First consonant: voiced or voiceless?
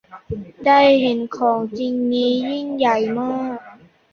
voiced